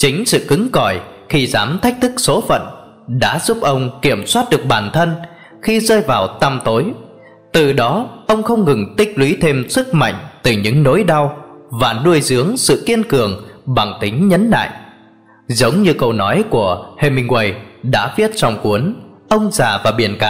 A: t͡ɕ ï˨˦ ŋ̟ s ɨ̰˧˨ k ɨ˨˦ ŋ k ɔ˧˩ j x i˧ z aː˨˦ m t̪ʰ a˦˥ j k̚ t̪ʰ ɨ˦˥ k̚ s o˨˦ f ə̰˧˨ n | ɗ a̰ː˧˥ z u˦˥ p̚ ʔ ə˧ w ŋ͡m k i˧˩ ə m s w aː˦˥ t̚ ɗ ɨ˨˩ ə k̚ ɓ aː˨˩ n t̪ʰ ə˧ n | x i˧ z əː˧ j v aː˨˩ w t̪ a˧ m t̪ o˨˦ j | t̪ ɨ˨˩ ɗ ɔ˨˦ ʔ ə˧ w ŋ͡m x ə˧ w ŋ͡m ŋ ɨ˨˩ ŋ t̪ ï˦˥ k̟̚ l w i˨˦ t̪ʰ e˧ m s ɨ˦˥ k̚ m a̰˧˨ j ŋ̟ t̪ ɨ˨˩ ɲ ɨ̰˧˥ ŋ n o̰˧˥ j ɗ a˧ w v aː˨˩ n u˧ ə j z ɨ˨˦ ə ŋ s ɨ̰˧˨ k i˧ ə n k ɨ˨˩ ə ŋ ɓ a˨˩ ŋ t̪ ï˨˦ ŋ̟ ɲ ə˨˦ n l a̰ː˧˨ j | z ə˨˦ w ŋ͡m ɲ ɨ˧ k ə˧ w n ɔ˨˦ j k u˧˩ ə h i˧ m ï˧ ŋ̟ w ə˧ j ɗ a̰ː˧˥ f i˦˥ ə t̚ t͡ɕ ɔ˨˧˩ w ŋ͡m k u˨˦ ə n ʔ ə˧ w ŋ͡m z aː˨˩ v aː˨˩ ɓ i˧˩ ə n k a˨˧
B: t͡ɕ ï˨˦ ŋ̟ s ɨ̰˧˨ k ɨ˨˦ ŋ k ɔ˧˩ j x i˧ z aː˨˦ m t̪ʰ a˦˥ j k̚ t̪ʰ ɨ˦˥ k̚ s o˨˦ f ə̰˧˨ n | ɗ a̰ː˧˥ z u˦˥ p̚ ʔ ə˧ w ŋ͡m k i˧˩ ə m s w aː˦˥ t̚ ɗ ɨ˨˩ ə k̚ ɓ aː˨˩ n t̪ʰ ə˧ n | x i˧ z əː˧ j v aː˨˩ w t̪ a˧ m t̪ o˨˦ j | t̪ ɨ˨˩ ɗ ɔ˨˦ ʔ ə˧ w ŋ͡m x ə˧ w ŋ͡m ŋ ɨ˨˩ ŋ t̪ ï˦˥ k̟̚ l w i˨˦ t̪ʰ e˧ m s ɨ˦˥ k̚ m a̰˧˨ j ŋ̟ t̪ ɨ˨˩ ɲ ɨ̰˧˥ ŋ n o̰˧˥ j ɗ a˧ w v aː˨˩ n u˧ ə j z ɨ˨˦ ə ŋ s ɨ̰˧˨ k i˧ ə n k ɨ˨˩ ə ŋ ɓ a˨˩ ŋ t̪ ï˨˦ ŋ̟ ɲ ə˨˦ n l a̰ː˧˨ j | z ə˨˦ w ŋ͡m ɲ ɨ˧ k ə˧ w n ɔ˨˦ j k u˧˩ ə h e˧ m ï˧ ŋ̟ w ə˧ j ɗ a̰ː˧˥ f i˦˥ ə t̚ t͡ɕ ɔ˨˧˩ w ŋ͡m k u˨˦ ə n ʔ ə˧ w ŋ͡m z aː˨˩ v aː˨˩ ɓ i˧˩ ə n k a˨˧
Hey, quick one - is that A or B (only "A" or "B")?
B